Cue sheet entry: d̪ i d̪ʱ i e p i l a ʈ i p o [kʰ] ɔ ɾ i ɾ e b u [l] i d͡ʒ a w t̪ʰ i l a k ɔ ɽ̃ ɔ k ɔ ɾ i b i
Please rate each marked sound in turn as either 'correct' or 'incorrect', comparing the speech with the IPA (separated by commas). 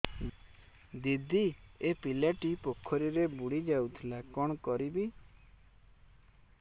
correct, incorrect